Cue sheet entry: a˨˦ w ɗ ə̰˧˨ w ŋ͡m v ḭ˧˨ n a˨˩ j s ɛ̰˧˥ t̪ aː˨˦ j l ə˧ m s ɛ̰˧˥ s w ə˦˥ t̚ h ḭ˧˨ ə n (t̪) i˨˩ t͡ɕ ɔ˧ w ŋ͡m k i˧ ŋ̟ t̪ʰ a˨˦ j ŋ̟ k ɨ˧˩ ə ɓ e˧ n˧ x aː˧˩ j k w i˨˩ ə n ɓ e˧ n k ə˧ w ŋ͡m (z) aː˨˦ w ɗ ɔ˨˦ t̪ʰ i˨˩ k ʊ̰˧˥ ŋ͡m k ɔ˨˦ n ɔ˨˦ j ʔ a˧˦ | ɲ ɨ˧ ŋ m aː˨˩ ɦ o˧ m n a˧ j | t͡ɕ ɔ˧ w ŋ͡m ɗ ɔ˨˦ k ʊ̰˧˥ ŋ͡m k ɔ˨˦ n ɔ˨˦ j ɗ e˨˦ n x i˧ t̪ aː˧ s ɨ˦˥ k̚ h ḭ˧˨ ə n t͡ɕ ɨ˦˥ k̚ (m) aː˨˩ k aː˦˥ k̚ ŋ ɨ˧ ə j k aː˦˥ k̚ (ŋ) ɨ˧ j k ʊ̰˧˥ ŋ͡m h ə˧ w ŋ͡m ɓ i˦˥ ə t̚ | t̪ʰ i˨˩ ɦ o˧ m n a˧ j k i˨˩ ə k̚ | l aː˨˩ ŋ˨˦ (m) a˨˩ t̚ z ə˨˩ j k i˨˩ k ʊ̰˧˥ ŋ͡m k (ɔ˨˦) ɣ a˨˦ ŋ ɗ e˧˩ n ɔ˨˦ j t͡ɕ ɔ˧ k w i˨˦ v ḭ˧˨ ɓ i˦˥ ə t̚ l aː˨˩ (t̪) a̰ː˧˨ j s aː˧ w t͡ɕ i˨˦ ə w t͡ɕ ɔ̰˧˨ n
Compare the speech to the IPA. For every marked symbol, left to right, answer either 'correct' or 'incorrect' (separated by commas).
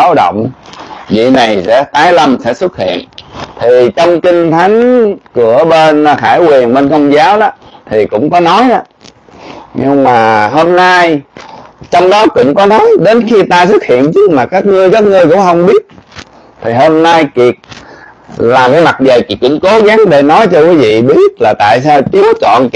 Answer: incorrect, correct, correct, correct, correct, incorrect, correct